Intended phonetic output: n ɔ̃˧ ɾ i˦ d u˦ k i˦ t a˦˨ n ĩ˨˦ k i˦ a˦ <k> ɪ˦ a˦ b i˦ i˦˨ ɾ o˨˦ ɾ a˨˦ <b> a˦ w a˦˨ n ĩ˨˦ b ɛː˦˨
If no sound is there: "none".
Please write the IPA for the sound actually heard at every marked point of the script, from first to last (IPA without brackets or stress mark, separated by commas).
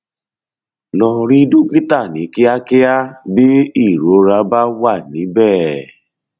k, b